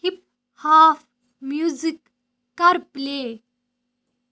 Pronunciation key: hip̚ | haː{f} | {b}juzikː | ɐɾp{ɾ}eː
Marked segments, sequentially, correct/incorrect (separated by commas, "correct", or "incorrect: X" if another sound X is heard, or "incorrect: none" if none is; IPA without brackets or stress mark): correct, incorrect: m, incorrect: l